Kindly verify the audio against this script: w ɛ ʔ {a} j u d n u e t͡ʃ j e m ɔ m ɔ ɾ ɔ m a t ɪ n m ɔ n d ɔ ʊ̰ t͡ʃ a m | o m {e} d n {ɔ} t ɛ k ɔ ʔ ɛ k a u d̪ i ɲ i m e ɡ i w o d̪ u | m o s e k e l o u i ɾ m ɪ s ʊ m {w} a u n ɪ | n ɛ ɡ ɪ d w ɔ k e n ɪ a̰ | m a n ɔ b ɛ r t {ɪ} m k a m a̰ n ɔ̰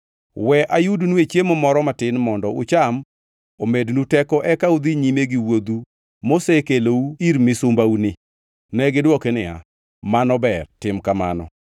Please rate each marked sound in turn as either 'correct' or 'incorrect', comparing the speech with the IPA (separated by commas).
correct, correct, incorrect, incorrect, correct